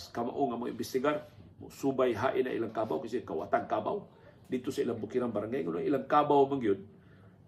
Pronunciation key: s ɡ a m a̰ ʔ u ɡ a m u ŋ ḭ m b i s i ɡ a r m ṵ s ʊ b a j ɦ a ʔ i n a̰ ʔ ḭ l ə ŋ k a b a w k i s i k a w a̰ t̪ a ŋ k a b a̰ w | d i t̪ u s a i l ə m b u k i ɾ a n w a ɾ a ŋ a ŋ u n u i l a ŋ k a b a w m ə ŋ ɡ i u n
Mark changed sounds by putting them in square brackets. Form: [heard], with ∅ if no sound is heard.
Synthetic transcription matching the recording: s [k] a m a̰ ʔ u [ŋ] a m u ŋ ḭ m b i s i ɡ a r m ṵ s [u] b a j ɦ a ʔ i n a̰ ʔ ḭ l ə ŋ k a b a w k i s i k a w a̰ t̪ a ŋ k a b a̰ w | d i t̪ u s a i l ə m b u k i ɾ a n [b] a ɾ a ŋ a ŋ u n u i l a ŋ k a b a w m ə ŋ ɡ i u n